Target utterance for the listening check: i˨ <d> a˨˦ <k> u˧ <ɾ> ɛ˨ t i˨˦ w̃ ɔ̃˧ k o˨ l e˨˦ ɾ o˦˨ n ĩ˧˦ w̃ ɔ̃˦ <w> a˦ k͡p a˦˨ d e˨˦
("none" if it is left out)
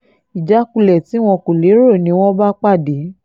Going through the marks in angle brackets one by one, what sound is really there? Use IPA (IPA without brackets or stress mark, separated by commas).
d͡ʒ, k, l, b